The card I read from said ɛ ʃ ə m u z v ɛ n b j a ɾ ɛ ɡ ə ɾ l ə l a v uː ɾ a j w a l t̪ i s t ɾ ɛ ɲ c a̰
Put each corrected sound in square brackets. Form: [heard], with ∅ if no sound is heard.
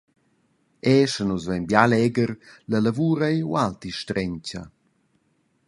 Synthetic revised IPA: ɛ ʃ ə [n] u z v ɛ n b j a [l] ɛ ɡ ə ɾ l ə l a v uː ɾ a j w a l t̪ i [ʃ] t ɾ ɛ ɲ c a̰